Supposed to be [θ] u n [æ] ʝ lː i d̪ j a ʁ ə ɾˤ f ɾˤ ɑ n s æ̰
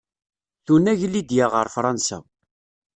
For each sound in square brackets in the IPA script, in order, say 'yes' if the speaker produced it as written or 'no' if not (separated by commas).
yes, yes